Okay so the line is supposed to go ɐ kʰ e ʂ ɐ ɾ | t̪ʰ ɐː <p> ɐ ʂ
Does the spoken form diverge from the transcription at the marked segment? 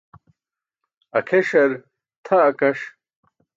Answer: yes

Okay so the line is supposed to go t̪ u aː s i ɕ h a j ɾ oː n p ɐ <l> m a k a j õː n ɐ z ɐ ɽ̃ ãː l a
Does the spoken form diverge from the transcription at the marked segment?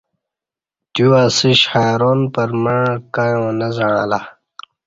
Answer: yes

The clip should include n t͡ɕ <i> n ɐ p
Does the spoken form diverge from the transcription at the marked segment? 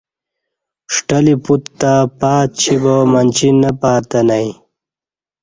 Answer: no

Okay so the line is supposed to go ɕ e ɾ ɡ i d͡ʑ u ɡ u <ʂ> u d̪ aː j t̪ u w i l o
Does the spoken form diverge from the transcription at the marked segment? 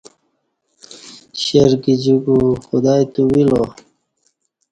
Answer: yes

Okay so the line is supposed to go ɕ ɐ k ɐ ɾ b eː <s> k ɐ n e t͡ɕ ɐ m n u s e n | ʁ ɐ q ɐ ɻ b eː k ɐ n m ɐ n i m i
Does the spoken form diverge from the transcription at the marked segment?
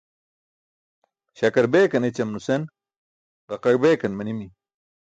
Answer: yes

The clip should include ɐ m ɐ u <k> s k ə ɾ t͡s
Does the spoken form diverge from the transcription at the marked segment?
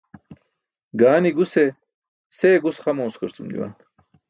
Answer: yes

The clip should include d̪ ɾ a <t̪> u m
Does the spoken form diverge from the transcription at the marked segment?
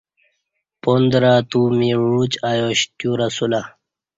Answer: no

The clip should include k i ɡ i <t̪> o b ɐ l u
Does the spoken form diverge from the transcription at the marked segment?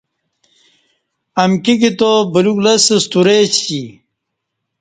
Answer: no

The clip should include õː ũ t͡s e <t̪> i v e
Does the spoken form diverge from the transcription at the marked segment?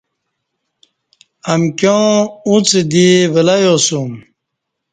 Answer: yes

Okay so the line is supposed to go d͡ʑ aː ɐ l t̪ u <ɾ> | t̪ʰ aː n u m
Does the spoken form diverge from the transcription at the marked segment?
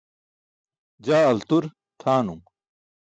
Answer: no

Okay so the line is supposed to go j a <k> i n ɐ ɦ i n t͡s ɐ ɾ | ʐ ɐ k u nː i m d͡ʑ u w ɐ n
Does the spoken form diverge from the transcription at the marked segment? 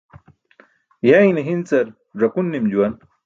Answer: yes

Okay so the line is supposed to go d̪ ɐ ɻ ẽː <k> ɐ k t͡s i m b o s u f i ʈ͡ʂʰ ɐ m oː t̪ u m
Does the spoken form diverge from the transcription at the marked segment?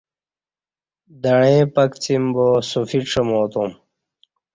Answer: yes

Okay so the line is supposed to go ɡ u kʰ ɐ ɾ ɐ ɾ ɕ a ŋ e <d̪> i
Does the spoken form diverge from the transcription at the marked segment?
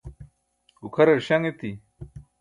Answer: yes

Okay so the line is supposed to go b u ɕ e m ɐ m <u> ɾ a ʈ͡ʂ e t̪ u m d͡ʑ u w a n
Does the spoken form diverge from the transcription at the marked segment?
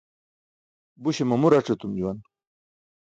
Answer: no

